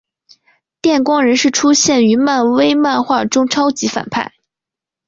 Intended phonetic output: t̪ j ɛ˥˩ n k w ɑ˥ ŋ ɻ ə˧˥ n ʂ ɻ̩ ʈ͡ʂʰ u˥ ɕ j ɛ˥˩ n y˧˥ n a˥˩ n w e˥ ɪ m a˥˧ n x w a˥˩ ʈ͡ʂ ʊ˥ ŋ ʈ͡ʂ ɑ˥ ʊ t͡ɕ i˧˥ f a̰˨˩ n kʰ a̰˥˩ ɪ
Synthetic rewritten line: t̪ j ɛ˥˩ n k w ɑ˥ ŋ ɻ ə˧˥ n ʂ ɻ̩ ʈ͡ʂʰ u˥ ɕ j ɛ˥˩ n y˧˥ m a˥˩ n w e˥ ɪ m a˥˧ n x w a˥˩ ʈ͡ʂ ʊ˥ ŋ ʈ͡ʂʰ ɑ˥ ʊ t͡ɕ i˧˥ f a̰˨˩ n pʰ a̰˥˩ ɪ